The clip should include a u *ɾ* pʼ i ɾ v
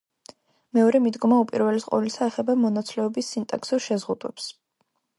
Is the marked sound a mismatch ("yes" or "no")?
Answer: yes